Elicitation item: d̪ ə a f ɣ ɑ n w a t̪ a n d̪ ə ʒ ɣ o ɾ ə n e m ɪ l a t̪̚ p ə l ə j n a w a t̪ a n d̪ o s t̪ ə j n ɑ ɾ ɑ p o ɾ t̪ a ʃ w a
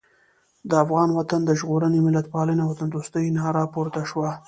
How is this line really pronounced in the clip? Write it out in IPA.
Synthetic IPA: d̪ ə a f ɣ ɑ n w a t̪ a n d̪ ə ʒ ɣ o ɾ ə n e m ɪ l a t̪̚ p ɑ l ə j n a w a t̪ a n d̪ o s t̪ ə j n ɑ ɾ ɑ p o ɾ t̪ a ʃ w a

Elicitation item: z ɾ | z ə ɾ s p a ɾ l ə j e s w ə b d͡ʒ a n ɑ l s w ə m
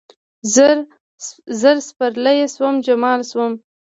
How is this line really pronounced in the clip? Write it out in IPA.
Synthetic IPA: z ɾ | z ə ɾ s p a ɾ l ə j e s w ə m d͡ʒ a m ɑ l s w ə m

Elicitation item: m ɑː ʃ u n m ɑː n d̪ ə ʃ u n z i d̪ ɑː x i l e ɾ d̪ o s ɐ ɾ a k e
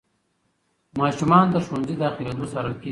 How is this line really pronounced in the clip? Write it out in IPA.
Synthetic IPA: m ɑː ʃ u m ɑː n d̪ ə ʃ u n z i d̪ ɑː x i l e d̪ o s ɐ ɾ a k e

